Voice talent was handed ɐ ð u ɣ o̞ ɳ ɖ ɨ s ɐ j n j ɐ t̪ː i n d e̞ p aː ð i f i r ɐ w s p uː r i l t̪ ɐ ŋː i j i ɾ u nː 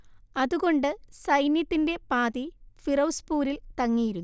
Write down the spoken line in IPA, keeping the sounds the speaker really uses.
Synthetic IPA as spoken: ɐ ð u ɣ o̞ ɳ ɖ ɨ s ɐ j n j ɐ t̪ː i n d e̞ p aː ð i f i r ɐ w s p uː ɾ i l t̪ ɐ ŋː i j i ɾ u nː